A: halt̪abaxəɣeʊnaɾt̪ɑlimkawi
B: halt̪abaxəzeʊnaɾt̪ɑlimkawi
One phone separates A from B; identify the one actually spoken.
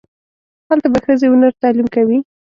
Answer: B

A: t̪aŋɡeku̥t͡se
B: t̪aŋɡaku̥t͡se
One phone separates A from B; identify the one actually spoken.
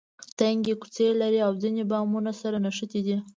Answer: A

